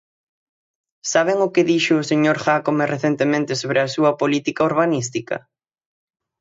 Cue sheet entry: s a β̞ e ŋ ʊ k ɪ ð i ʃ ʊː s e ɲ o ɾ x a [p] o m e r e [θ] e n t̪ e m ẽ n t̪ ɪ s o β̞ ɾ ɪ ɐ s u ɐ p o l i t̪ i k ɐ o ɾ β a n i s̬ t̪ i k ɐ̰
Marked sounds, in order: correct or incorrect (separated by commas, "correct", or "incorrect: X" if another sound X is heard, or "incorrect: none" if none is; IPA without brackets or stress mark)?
incorrect: k, correct